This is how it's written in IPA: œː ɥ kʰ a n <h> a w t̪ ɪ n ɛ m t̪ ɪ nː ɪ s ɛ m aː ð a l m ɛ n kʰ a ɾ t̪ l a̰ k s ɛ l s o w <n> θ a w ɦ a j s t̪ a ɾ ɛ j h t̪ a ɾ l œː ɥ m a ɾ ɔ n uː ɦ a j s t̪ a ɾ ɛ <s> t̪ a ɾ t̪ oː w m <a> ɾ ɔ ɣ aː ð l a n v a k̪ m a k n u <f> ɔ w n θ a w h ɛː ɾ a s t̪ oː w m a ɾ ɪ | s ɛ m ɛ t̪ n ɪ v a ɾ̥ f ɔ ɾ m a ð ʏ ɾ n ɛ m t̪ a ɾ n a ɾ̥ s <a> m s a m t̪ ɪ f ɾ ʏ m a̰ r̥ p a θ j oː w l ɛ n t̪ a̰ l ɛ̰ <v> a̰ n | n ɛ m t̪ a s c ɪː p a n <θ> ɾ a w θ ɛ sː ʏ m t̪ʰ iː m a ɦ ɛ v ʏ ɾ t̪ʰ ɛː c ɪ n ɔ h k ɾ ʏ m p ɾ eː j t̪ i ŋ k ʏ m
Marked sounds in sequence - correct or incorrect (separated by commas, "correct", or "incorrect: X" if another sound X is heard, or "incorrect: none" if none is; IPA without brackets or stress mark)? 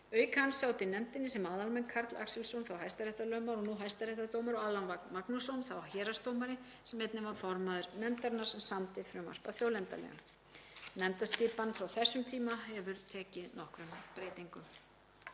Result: incorrect: s, correct, incorrect: h, correct, incorrect: s, incorrect: ɛ, incorrect: ɣ, incorrect: f